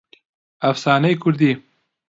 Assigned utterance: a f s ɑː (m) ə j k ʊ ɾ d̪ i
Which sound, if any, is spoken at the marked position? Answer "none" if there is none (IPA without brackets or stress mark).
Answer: n